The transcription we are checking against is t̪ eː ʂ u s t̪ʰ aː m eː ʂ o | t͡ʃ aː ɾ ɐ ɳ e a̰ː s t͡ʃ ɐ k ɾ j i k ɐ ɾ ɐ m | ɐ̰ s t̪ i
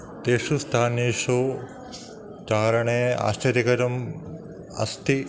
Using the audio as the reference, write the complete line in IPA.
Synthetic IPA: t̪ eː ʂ u s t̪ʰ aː n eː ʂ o | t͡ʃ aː ɾ ɐ ɳ e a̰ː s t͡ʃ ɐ ɾ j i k ɐ ɾ ɐ m | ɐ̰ s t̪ i